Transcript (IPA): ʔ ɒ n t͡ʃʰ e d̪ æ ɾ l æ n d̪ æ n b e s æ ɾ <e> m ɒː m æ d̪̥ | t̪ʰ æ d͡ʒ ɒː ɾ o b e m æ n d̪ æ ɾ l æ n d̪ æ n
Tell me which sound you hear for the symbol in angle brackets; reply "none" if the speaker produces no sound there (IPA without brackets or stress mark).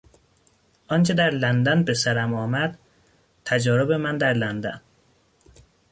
æ